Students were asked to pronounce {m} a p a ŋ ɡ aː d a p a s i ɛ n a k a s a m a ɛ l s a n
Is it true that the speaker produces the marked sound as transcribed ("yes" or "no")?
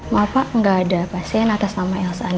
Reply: yes